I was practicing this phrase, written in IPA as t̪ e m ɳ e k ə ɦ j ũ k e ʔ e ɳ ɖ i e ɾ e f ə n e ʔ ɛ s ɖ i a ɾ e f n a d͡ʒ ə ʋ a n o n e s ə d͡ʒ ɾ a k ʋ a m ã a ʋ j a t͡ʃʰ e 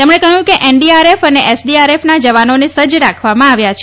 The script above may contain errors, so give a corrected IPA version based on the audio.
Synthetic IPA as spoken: t̪ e m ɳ e k ə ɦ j ũ k e ʔ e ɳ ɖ i a ɾ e f ə n e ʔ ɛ s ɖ i a ɾ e f n a d͡ʒ ə ʋ a n o n e s ə d͡ʒ ɾ a kʰ ʋ a m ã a ʋ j a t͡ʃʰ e